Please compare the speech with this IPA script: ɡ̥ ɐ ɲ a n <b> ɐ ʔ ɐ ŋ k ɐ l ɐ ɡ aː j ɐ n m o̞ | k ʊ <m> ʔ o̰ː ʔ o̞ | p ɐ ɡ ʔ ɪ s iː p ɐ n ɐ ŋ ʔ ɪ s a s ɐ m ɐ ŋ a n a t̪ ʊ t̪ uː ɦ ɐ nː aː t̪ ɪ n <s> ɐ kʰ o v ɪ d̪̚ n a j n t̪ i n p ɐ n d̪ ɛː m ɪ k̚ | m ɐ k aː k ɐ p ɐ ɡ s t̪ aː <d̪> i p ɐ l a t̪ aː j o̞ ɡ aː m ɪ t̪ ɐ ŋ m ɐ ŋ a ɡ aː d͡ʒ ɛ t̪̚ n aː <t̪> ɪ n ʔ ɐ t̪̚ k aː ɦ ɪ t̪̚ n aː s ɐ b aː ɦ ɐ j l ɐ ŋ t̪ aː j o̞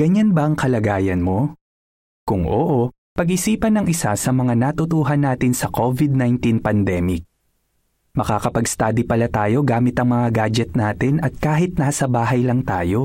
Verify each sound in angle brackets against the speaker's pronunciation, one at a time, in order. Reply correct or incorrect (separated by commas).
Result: correct, incorrect, correct, correct, correct